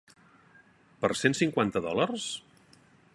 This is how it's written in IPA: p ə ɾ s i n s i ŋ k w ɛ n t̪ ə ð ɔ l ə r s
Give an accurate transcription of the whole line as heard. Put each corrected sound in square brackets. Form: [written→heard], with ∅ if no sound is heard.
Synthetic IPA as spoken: p ə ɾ s [i→e] n s i ŋ k w [ɛ→a] n t̪ ə ð ɔ l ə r s